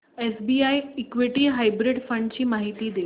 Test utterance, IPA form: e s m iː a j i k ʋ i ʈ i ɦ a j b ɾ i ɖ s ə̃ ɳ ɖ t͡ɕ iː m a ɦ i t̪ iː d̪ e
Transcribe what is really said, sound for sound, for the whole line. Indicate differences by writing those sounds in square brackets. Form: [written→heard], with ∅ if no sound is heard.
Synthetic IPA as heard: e s [m→b] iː a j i k ʋ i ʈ i ɦ a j b ɾ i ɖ [s→f] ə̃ ɳ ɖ t͡ɕ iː m a ɦ i t̪ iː d̪ e

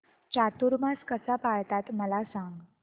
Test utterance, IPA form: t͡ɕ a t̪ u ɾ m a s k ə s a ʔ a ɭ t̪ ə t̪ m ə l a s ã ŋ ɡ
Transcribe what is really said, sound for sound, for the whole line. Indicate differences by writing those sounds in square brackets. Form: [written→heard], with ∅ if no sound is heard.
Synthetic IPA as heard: t͡ɕ a t̪ u ɾ m a s k ə s a [ʔ→p] a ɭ t̪ [ə→a] t̪ m ə l a s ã ŋ ɡ

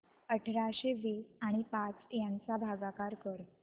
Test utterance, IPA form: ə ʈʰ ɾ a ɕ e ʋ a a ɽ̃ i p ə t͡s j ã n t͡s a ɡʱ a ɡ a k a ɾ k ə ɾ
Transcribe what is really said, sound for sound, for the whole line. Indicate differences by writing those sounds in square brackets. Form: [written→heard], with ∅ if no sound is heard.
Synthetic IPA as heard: ə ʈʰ ɾ a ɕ e ʋ [a→i] a ɽ̃ i p [ə→a] t͡s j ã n t͡s a [ɡʱ→bʱ] a ɡ a k a ɾ k ə ɾ

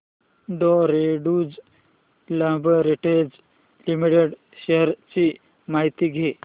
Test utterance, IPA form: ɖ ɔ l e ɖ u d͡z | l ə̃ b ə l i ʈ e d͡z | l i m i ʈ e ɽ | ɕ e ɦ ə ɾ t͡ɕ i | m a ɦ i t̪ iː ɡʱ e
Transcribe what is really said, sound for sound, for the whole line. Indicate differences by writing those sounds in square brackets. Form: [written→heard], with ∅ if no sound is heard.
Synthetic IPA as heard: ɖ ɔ [l→ɾ] e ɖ u d͡z | l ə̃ b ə [l→ɾ] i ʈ e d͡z | l i m i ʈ e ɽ | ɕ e ɦ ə ɾ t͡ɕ i | m a ɦ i t̪ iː ɡʱ e

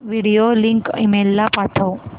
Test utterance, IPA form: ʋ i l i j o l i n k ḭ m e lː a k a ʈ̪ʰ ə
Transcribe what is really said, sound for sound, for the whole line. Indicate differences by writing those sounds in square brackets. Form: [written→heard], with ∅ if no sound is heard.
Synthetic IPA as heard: ʋ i [l→ɽ] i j o l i [n→ŋ] k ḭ m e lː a [k→p] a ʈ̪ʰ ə

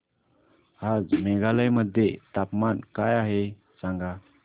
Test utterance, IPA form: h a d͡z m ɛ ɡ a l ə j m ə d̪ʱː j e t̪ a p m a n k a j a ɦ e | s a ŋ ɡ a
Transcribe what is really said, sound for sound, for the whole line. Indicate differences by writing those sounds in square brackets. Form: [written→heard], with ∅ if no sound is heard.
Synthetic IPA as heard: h a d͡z m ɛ ɡ a l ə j m ə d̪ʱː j e t̪ a p m a n k a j a ɦ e | s a ŋ ɡ a

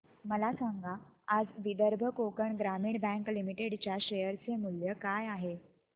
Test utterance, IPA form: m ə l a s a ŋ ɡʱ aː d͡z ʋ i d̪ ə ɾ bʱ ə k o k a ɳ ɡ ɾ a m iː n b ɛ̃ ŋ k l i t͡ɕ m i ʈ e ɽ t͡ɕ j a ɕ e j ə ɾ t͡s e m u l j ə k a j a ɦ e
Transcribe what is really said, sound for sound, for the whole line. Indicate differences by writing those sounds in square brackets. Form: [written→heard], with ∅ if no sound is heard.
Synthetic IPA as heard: m ə l a s a ŋ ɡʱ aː d͡z ʋ i d̪ ə ɾ bʱ ə k o k [a→ə] ɳ ɡ ɾ a m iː [n→ɳ] b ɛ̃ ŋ k l i [t͡ɕ→∅] m i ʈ e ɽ t͡ɕ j a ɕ e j ə ɾ t͡s e m u l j ə k a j a ɦ e

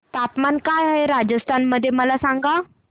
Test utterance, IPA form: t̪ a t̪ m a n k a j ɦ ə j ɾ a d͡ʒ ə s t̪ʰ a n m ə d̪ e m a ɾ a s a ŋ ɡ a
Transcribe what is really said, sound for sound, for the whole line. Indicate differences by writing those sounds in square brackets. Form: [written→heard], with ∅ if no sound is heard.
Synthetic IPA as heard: t̪ a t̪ m a n k a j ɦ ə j ɾ a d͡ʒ ə s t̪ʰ a n m ə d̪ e m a [ɾ→l] a s a ŋ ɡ a

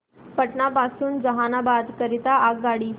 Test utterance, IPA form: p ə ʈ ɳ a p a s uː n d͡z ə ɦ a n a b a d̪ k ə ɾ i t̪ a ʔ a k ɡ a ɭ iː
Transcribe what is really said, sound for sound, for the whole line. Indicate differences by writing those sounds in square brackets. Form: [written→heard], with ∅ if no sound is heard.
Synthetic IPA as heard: p ə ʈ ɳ a p a s uː n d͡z ə ɦ a n a b a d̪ k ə ɾ i t̪ a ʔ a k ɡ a [ɭ→ɽ] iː

